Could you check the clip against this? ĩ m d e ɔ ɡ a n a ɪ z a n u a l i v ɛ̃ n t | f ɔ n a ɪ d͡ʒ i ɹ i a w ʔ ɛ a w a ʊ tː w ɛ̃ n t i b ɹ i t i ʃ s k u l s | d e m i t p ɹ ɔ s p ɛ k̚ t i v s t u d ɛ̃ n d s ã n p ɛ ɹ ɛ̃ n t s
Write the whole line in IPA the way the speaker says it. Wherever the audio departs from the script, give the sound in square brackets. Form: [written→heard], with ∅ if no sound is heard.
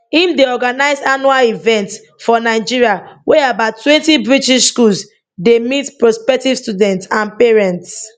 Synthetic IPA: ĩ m d e ɔ ɡ a n a ɪ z a n u a l i v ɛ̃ n t | f ɔ n a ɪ d͡ʒ i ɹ i a w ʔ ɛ a [w→b] a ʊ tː w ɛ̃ n t i b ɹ i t i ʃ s k u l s | d e m i t p ɹ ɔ s p ɛ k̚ t i v s t u d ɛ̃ n [d→t] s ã n p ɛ ɹ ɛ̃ n t s